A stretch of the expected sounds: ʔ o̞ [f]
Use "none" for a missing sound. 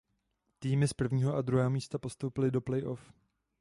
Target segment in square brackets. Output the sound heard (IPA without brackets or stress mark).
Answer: f